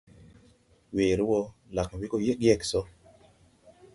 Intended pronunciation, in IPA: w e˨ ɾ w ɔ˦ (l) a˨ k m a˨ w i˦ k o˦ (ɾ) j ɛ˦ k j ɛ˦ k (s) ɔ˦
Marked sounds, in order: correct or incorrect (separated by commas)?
correct, incorrect, correct